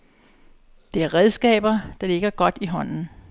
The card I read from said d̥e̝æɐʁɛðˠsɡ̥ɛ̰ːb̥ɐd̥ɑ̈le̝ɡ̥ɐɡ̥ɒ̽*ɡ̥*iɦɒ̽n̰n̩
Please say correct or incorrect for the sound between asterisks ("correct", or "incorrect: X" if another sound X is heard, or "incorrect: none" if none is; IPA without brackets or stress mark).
incorrect: d̥